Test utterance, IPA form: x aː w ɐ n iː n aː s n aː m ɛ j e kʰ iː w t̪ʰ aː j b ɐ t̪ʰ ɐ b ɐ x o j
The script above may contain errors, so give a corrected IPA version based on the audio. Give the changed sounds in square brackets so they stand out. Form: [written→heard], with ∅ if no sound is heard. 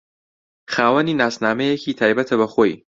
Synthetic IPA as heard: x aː w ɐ n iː n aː s n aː m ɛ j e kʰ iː [w→∅] t̪ʰ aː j b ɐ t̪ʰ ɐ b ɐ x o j